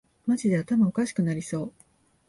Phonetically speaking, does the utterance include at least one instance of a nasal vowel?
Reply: no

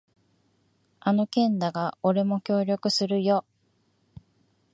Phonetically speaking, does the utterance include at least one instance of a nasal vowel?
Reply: yes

